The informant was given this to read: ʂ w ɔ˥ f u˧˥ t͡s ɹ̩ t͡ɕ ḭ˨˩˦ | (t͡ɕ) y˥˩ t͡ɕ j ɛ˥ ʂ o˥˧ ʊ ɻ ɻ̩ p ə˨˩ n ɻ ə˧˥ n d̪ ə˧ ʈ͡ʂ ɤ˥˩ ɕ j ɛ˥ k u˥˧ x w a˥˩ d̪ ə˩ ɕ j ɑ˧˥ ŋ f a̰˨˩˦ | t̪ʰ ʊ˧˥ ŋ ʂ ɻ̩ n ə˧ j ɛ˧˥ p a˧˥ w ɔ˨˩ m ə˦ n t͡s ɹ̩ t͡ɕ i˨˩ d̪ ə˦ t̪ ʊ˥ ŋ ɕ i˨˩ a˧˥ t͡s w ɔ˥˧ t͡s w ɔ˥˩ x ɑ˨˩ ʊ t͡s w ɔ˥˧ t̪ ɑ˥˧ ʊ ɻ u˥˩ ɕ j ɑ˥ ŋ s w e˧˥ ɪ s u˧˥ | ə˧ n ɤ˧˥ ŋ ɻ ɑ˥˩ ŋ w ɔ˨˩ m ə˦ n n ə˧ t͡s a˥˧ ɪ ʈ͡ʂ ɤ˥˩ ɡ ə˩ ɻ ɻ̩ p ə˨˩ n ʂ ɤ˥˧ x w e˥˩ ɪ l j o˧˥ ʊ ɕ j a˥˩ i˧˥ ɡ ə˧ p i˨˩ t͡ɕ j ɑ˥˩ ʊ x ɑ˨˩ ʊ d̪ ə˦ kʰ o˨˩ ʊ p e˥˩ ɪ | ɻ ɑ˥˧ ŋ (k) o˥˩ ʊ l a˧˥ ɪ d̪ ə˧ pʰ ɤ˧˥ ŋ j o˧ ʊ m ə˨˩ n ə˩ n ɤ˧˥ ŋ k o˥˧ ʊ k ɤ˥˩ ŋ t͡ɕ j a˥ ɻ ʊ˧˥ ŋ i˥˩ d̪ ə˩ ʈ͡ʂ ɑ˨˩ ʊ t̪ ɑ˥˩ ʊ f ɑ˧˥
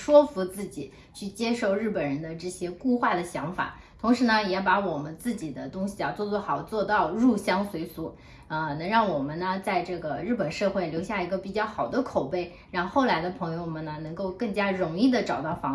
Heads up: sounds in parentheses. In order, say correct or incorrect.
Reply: incorrect: t͡ɕʰ, incorrect: x

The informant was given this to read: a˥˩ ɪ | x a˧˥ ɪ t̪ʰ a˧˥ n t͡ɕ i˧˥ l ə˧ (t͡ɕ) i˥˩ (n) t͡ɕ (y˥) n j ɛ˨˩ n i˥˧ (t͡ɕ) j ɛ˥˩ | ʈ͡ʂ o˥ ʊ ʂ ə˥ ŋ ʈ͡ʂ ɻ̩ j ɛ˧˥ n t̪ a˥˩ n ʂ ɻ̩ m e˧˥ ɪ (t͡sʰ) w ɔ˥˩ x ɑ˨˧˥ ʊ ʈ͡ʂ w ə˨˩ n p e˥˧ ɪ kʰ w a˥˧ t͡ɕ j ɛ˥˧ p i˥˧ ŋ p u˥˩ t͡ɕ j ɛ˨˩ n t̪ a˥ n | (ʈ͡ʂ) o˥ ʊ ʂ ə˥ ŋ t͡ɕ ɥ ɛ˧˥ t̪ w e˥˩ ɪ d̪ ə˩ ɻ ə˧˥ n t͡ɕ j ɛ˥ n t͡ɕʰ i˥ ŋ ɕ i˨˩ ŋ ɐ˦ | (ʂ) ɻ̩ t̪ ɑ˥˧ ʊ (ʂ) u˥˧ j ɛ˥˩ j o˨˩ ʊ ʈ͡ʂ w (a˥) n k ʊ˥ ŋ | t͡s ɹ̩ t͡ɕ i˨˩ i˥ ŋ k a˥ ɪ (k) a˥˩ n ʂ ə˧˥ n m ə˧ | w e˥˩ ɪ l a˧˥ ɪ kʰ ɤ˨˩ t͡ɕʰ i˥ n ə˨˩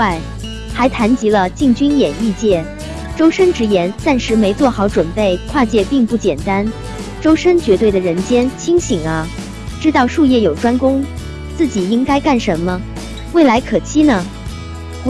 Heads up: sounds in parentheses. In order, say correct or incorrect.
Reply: correct, incorrect: ŋ, correct, correct, incorrect: t͡s, correct, incorrect: ʈ͡ʂ, correct, correct, correct

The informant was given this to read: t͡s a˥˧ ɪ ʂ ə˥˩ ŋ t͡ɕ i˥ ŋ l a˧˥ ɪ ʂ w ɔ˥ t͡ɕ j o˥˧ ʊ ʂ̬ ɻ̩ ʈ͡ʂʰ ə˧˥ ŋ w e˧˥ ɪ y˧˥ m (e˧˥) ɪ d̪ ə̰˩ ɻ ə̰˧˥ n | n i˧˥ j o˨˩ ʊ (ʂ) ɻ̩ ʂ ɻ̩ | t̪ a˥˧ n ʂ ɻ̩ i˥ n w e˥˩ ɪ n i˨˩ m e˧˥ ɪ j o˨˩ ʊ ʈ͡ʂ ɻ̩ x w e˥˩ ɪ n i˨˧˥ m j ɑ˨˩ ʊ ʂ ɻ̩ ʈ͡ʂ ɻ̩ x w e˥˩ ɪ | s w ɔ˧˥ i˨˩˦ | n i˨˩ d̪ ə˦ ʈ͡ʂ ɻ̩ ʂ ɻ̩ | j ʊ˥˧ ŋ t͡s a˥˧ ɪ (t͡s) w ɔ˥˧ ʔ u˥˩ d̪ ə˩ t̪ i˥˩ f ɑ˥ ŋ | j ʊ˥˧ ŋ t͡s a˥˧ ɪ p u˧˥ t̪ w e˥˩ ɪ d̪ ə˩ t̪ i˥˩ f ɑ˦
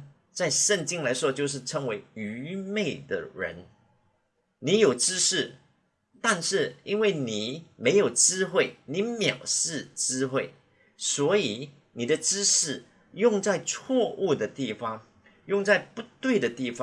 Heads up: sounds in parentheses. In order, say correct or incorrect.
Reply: incorrect: e˥˩, incorrect: ʈ͡ʂ, incorrect: t͡sʰ

